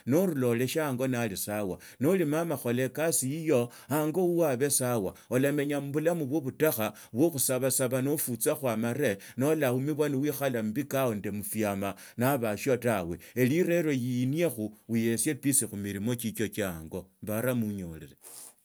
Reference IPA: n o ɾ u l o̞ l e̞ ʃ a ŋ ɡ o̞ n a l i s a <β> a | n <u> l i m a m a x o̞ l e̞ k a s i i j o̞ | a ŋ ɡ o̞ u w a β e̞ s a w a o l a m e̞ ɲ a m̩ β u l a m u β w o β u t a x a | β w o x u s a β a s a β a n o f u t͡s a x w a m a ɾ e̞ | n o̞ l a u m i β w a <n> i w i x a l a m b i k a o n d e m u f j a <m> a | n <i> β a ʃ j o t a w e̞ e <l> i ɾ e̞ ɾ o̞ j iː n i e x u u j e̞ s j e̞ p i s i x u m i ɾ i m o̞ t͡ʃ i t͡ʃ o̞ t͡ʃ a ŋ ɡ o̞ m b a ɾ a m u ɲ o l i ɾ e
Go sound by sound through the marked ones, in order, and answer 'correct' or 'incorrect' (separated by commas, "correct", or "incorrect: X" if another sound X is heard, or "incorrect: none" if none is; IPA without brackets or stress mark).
incorrect: w, incorrect: o, correct, correct, incorrect: a, correct